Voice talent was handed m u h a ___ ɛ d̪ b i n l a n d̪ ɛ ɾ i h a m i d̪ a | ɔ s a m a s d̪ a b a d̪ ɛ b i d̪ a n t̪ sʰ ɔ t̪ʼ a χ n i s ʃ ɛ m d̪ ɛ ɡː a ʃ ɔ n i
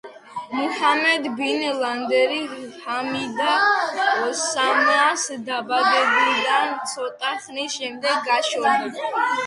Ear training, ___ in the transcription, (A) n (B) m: B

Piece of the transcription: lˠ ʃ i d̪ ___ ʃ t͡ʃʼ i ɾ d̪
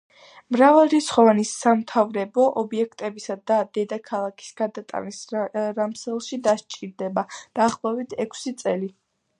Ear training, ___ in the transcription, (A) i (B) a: B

